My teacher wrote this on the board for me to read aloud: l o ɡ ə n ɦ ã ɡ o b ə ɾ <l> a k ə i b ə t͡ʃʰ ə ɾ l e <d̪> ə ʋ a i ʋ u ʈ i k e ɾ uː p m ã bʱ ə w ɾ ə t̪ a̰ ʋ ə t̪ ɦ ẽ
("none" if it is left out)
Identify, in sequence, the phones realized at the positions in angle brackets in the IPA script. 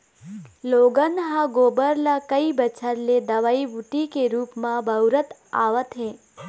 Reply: l, d̪

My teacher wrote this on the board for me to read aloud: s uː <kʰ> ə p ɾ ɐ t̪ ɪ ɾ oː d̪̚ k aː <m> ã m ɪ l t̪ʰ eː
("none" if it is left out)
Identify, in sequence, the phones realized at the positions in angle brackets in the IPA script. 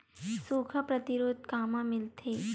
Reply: kʰ, m

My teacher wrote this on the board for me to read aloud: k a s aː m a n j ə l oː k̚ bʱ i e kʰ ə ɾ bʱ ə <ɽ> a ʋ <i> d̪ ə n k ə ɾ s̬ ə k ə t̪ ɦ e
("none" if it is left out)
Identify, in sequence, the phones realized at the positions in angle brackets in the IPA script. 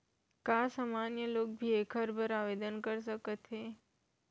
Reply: ɾ, e

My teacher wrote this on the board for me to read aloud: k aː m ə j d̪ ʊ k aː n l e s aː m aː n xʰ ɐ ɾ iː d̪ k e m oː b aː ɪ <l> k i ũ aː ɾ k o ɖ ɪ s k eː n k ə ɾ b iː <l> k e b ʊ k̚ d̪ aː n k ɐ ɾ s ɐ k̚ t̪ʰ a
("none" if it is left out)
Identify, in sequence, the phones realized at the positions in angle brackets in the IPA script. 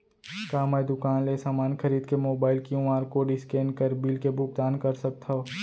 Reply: l, l

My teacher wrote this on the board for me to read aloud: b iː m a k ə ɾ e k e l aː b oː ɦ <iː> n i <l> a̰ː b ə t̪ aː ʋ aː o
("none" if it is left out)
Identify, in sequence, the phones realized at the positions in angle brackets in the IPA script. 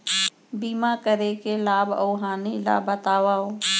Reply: aː, l

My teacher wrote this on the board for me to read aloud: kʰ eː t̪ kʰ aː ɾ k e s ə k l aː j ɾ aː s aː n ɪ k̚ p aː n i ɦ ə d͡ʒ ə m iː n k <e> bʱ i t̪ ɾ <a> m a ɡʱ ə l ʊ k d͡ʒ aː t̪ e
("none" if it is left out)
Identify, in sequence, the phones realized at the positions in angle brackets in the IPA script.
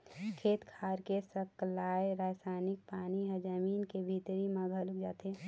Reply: e, i

